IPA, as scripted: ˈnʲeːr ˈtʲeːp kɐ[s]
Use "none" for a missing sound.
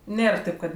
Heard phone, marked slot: t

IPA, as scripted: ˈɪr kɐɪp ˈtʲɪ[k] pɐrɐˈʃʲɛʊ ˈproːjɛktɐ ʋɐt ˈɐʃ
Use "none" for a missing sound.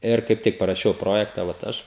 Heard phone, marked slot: k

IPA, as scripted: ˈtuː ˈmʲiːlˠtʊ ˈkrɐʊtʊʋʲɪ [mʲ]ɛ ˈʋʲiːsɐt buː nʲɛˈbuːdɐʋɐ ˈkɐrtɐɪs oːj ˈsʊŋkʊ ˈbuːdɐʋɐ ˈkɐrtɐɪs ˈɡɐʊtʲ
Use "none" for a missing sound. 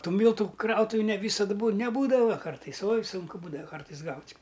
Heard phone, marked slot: nʲ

